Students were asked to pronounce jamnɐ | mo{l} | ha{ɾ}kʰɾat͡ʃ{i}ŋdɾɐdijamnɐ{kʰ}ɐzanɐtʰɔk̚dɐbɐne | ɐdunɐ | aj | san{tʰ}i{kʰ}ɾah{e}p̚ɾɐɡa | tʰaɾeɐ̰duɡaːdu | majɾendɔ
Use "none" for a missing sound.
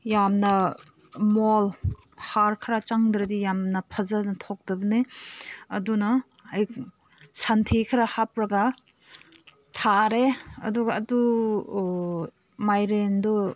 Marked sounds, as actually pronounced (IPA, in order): l, ɾ, a, pʰ, tʰ, kʰ, a

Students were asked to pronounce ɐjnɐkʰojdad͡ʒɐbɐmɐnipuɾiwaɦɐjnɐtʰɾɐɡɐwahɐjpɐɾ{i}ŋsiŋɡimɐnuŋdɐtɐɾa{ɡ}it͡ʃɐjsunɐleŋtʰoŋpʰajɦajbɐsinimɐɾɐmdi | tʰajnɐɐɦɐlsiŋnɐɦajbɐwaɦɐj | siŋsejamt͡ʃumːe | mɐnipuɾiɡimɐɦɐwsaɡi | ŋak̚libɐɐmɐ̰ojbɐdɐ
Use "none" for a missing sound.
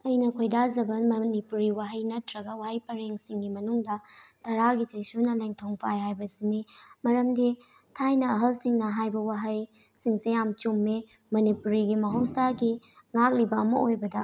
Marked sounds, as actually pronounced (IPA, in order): e, ɡ

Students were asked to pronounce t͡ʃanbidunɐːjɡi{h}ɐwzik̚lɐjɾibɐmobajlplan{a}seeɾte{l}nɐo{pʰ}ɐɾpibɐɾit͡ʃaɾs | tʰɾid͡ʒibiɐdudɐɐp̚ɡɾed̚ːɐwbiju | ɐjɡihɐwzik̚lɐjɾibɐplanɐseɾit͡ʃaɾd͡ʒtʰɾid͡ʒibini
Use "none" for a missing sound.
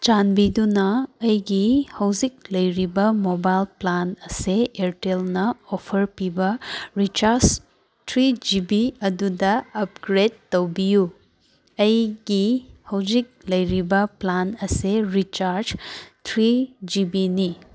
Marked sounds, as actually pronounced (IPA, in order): h, ɐ, l, pʰ

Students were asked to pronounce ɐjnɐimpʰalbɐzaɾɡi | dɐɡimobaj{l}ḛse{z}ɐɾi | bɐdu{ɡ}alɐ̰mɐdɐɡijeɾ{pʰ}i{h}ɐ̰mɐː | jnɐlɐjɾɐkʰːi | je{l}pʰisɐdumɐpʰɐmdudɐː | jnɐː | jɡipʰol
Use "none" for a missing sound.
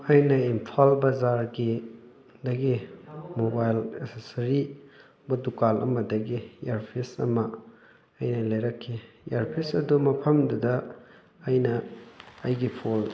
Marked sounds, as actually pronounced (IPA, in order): l, s, k, pʰ, s, ɾ

